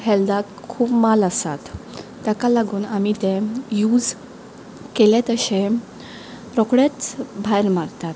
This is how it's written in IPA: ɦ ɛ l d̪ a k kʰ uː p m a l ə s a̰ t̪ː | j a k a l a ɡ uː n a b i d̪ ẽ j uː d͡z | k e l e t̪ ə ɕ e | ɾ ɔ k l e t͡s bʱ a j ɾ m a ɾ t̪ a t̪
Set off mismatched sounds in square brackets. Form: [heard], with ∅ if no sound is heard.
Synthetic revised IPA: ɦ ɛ l d̪ a k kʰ uː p m a l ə s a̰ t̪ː | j a k a l a ɡ uː n a [m] i [t̪] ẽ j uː d͡z | k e l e t̪ ə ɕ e | ɾ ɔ k [ɽ] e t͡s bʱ a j ɾ m a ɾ t̪ a t̪